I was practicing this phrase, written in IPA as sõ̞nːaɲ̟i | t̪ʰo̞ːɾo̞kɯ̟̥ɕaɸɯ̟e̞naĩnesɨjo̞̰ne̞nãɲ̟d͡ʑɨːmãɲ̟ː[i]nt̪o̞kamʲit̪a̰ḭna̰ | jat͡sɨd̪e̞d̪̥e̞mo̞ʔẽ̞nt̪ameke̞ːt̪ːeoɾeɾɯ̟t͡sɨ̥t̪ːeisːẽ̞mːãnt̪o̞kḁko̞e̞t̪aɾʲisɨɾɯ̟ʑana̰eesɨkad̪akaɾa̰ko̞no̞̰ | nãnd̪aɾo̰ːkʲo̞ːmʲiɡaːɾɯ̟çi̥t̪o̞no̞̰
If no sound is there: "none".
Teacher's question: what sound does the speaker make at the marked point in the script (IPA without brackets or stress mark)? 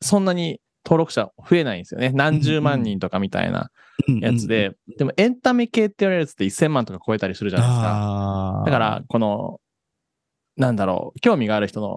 ĩ